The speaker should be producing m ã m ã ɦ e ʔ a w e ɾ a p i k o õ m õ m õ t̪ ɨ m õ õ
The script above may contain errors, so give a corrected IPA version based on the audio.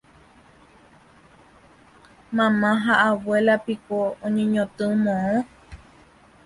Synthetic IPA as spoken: m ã m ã ɦ a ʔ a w e l a p i k o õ ɲ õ ɲ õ t̪ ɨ m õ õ

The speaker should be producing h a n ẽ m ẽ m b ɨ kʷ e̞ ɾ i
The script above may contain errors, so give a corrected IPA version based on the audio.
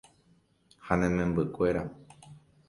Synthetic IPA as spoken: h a n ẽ m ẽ m b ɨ kʷ e̞ ɾ a

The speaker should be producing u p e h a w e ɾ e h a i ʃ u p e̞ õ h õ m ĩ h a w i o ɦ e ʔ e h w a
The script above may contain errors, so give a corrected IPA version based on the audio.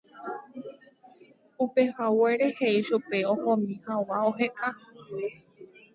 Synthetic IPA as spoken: u p e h a w e ɾ e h e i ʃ u p e̞ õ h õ m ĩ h a w a o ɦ e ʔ a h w e

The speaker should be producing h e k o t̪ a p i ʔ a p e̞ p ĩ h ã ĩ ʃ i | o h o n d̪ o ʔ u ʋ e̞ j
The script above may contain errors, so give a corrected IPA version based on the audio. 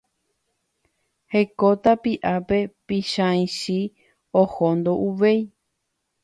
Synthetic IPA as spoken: h e k o t̪ a p i ʔ a p e̞ p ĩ ʃ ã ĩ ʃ i | o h o n d̪ o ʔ u ʋ e̞ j

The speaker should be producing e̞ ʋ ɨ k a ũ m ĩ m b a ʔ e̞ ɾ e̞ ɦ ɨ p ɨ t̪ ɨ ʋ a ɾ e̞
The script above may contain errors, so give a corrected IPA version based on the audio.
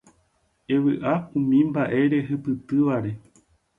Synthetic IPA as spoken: e̞ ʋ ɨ ʔ a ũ m ĩ m b a ʔ e̞ ɾ e̞ ɦ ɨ p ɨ t̪ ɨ ʋ a ɾ e̞

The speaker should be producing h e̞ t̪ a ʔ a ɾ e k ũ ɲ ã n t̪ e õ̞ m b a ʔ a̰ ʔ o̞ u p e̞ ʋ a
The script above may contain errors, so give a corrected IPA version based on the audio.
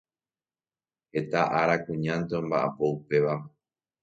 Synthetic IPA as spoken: h e̞ t̪ a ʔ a ɾ a k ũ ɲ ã n t̪ e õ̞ m b a ʔ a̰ p o̞ u p e̞ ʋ a

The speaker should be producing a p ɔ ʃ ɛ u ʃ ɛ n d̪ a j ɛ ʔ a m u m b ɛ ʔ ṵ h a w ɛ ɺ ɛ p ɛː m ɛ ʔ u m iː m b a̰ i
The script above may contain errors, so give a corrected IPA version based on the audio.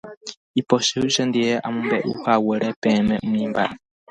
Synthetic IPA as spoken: i p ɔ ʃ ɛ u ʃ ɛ n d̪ i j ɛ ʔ a m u m b ɛ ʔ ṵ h a w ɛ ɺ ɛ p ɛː m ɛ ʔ u m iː m b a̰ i

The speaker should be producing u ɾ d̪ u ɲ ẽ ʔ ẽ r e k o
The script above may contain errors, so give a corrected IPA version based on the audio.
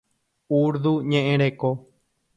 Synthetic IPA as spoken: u ɾ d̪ u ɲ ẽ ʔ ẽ ɾ e k o

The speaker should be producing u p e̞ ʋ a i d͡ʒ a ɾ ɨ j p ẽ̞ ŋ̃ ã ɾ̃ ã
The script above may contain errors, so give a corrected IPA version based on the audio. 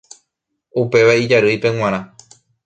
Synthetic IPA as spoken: u p e̞ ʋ a i d͡ʒ a ɾ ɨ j p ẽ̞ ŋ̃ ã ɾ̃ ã

